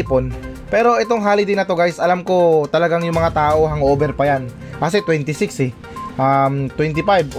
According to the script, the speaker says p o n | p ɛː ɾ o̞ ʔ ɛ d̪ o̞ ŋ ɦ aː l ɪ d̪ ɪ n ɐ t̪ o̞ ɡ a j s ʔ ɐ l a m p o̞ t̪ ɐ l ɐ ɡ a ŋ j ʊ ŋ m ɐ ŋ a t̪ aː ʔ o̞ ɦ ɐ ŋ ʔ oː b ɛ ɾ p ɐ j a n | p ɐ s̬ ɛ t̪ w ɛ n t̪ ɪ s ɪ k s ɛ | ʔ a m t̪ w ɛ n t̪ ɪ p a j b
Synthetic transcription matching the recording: p o n | p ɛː ɾ o̞ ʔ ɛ t̪ o̞ ŋ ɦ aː l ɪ d̪ ɪ n ɐ t̪ o̞ ɡ a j s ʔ ɐ l a m k o̞ t̪ ɐ l ɐ ɡ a ŋ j ʊ ŋ m ɐ ŋ a t̪ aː ʔ o̞ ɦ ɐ ŋ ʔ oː b ɛ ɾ p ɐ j a n | k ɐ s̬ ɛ t̪ w ɛ n t̪ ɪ s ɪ k s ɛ | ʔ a m t̪ w ɛ n t̪ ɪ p a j b